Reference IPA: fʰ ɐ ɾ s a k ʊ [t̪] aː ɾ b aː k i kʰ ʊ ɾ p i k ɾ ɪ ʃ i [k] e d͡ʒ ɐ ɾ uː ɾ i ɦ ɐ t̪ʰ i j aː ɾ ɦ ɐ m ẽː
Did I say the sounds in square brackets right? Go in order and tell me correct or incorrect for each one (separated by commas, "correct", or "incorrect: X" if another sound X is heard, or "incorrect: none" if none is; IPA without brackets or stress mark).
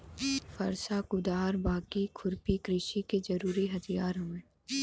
incorrect: d̪, correct